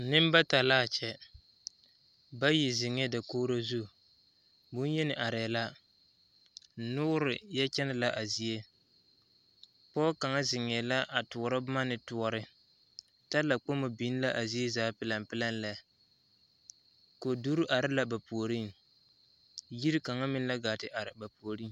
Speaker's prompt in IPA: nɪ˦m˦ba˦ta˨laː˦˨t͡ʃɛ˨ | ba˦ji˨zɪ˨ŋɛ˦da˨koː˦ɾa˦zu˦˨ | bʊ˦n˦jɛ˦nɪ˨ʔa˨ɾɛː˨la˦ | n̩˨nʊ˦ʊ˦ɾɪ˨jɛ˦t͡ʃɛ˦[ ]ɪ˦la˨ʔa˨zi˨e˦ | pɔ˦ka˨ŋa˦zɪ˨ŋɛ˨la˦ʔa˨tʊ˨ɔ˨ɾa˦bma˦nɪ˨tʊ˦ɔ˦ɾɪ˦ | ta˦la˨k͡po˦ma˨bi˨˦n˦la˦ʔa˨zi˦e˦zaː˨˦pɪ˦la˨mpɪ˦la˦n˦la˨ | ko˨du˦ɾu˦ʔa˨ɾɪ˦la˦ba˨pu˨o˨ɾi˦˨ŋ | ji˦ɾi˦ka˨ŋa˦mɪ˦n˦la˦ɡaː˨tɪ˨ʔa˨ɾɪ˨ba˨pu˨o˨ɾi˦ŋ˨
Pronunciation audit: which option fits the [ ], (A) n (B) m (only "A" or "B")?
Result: A